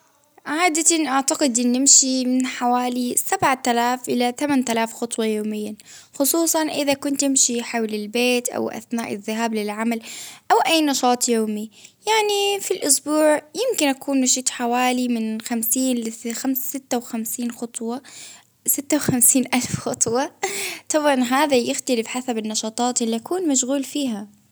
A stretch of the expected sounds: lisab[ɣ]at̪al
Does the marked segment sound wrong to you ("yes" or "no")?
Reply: yes